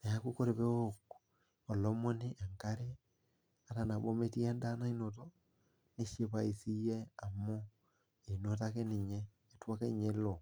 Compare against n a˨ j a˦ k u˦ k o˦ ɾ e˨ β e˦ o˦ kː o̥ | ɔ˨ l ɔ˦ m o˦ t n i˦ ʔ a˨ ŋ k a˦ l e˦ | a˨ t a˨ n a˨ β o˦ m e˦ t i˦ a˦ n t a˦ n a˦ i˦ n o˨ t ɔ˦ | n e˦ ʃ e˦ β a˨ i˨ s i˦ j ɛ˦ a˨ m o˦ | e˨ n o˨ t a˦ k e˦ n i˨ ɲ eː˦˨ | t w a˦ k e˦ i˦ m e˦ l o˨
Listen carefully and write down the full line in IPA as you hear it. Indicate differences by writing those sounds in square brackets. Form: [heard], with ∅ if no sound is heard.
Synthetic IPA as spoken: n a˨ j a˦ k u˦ k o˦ ɾ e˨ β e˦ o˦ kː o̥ | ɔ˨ l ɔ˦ m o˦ [∅] n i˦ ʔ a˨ ŋ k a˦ [ɾ] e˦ | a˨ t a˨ n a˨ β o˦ m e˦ t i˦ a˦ n [d] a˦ n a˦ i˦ n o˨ t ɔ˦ | n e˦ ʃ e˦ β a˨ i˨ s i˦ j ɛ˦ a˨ m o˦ | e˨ n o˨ t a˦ k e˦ n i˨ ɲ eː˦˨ | t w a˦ k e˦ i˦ [ɲ] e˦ l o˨